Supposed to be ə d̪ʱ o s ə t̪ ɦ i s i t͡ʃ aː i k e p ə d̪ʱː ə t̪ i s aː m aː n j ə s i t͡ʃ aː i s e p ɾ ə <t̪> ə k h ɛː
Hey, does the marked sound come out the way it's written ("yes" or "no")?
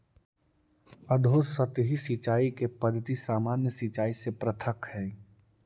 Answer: no